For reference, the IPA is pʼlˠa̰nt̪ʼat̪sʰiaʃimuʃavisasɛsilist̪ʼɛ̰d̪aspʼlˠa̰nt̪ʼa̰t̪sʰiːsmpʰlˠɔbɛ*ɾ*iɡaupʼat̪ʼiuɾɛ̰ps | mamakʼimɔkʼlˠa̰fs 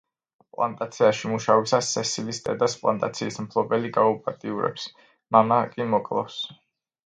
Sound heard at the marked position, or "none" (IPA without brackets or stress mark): l